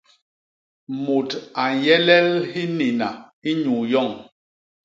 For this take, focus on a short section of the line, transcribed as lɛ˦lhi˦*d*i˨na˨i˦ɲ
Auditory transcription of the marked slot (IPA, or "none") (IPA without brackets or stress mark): n